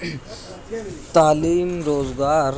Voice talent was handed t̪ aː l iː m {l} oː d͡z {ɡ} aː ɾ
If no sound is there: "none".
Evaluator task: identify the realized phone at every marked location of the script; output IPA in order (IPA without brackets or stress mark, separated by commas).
ɾ, ɡ